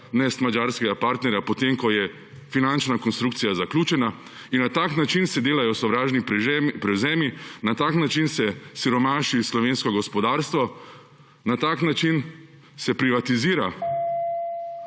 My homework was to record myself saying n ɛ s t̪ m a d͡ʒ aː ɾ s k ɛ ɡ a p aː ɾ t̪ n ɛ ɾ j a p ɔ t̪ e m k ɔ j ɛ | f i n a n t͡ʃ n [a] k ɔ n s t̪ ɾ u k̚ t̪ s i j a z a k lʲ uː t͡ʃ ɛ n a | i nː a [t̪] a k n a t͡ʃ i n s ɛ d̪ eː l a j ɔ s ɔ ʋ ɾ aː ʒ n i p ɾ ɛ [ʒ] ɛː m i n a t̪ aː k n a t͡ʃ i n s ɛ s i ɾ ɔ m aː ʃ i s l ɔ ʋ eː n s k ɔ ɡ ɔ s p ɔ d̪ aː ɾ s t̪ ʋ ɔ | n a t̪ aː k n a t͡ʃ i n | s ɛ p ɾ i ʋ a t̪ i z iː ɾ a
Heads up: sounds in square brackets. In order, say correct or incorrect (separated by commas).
correct, correct, incorrect